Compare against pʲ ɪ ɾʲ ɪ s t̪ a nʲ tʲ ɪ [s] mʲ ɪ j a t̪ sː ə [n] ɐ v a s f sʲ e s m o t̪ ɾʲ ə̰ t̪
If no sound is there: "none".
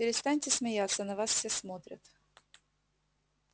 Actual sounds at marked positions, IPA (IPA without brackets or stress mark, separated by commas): s, n